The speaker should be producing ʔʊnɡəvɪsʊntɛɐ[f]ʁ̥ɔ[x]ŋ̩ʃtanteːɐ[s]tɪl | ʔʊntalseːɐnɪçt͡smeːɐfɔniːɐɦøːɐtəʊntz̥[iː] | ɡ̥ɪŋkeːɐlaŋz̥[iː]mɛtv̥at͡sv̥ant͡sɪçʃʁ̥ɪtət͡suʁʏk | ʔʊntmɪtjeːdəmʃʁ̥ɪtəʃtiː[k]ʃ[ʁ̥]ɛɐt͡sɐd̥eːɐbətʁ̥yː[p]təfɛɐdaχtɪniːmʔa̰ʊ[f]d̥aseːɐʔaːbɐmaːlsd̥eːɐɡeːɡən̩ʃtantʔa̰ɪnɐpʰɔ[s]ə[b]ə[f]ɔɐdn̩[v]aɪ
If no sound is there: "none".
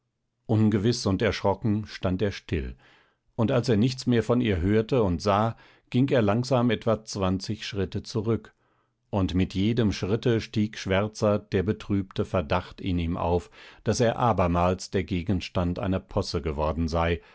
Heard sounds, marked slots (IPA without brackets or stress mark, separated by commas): ʃ, k, ʃ, aː, aː, k, v̥, p, f, s, ɡ, v, z